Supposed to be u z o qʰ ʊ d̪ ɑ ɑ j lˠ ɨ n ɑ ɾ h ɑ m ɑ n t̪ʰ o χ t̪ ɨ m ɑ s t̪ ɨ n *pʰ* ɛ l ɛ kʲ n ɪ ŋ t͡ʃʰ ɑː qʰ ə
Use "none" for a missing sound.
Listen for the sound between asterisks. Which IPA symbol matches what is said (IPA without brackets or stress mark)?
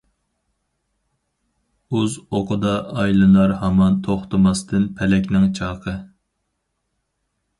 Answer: pʰ